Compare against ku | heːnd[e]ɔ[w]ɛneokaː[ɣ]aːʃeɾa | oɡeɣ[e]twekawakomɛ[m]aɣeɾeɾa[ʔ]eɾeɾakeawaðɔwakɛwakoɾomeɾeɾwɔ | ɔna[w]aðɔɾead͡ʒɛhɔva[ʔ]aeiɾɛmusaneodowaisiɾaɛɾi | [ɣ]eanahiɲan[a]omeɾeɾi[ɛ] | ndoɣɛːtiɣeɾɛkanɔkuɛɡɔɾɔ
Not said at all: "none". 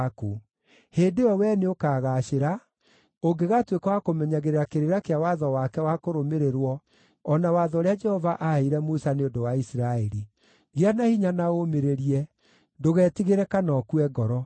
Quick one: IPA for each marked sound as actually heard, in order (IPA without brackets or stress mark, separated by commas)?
e, w, ɣ, a, ɲ, k, w, ʔ, ɣ, a, ɛ